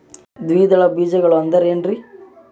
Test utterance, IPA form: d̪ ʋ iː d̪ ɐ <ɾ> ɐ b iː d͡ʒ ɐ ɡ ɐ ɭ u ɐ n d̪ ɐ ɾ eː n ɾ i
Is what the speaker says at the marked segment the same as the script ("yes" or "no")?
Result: no